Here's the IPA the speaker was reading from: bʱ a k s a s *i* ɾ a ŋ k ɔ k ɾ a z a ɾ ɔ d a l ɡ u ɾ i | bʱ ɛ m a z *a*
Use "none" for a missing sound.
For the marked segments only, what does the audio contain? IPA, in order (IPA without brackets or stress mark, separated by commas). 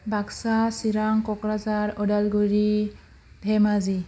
i, i